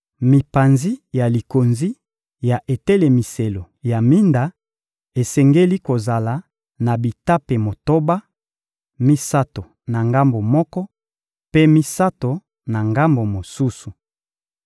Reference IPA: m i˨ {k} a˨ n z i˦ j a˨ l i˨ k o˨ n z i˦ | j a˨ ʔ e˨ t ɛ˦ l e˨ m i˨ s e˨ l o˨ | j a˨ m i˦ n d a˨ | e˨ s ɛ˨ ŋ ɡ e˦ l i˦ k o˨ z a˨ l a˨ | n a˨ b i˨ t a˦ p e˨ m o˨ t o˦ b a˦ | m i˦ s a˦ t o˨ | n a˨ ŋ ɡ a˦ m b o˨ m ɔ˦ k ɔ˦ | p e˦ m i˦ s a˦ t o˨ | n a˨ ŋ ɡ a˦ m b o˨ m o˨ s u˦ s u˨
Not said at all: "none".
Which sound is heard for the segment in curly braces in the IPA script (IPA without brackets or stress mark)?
p